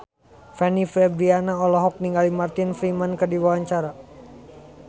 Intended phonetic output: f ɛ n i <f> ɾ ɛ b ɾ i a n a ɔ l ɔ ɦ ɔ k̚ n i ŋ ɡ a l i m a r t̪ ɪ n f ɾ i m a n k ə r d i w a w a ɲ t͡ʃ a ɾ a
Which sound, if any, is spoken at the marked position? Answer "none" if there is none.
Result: f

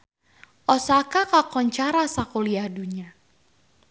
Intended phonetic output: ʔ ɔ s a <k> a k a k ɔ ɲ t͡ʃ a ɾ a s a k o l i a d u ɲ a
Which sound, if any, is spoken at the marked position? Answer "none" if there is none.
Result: k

